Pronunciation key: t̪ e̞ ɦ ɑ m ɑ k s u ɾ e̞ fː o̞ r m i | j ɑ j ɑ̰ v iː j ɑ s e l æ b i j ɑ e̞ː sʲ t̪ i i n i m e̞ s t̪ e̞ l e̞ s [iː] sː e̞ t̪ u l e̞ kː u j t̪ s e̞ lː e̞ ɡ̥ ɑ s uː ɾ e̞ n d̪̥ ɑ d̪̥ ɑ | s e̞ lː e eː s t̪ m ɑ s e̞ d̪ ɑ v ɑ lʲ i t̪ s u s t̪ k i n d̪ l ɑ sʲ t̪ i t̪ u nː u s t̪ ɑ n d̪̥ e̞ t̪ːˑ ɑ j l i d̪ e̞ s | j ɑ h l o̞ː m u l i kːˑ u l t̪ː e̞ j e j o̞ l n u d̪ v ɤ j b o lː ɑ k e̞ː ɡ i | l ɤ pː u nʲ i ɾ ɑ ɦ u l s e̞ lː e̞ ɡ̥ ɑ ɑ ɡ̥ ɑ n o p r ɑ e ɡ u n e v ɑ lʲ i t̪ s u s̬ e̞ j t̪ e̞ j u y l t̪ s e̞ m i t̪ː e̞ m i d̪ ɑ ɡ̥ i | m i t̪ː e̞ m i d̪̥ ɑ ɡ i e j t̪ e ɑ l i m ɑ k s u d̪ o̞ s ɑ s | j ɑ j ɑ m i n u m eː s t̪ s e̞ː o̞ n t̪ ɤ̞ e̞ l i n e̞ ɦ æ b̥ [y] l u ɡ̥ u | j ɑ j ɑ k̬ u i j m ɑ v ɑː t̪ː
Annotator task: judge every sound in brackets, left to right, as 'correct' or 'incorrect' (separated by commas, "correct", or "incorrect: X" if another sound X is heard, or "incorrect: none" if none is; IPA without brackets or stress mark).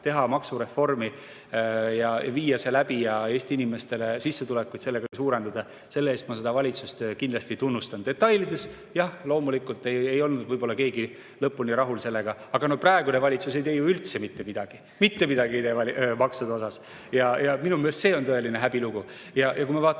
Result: incorrect: i, incorrect: i